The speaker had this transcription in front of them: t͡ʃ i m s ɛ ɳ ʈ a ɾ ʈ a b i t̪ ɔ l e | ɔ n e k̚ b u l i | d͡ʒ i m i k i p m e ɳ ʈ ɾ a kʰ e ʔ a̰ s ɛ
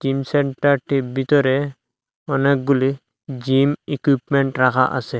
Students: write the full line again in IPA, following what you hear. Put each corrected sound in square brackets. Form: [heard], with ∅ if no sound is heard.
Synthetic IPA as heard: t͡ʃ i m s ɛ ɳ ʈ a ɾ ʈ [i] b i t̪ ɔ [ɾ] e | ɔ n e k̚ [ɡ] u l i | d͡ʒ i m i k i p m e ɳ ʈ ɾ a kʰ [a] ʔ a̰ s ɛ